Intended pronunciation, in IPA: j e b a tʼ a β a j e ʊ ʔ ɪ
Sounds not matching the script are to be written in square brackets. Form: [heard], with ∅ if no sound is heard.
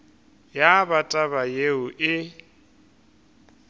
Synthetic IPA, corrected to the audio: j [a] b a tʼ a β a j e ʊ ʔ ɪ